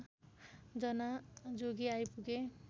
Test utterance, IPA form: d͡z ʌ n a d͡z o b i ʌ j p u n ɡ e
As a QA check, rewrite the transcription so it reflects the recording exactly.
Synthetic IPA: d͡z ʌ n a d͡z o ɡ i a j p u ɡ e